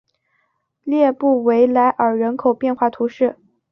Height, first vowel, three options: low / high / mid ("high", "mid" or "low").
mid